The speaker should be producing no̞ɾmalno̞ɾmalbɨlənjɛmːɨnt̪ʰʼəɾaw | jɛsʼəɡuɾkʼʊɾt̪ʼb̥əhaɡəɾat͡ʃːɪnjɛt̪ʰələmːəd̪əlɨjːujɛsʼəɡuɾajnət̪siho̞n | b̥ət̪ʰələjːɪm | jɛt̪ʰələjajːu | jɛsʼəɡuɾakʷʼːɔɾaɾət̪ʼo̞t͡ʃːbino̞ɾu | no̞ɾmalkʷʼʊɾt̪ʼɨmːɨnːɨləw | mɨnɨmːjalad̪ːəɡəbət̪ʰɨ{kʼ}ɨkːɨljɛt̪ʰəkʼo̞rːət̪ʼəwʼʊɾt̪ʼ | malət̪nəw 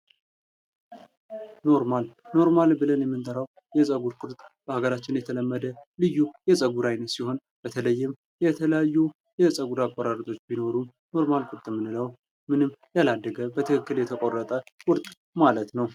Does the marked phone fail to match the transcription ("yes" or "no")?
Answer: yes